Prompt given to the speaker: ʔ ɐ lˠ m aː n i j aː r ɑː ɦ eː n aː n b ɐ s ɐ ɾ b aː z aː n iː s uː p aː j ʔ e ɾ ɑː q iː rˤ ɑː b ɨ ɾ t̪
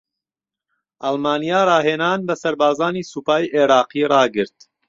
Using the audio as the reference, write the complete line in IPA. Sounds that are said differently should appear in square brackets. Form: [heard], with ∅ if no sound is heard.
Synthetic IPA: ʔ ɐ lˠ m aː n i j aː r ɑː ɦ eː n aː n b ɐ s ɐ ɾ b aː z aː n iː s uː p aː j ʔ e ɾ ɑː q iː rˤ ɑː [ɡ] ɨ ɾ t̪